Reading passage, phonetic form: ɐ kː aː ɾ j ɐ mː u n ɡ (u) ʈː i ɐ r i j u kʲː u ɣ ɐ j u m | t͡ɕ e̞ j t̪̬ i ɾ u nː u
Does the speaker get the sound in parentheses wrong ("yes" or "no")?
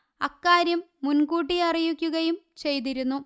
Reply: yes